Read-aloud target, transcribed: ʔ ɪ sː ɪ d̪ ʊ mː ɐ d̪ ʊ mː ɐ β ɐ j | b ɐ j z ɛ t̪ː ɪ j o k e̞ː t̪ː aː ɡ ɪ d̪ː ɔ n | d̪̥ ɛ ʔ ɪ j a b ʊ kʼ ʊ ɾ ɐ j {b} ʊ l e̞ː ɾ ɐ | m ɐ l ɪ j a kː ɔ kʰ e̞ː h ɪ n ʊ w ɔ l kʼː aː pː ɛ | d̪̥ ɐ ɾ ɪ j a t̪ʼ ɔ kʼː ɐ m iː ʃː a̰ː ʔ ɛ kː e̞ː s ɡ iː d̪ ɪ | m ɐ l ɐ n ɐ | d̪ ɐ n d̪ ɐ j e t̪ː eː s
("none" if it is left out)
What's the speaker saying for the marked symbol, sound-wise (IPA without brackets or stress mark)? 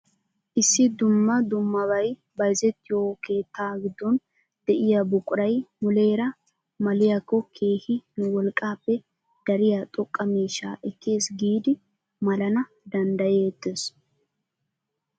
m